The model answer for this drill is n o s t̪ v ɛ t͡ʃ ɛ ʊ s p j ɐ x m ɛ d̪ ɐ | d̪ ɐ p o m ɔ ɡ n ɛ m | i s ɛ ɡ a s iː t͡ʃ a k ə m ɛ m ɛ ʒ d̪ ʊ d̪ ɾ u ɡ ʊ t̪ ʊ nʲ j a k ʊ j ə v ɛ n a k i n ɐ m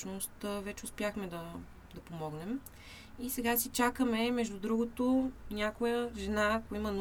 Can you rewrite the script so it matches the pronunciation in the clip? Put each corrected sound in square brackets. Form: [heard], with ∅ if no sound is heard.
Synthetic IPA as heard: n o s t̪ v ɛ t͡ʃ ɛ ʊ s p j [a] x m ɛ d̪ ɐ | d̪ ɐ p o m ɔ ɡ n ɛ m | i s ɛ ɡ a s [i] t͡ʃ a k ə m ɛ m ɛ ʒ d̪ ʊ d̪ ɾ u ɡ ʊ t̪ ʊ nʲ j a k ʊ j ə [ʒ] ɛ n a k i [m] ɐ [n]